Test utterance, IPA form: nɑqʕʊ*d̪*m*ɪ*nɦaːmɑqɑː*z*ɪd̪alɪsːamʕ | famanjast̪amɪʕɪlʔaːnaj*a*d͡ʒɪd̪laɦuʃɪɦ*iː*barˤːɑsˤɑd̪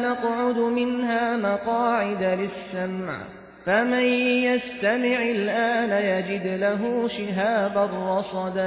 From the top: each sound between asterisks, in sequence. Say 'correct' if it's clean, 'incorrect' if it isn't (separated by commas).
correct, correct, incorrect, correct, incorrect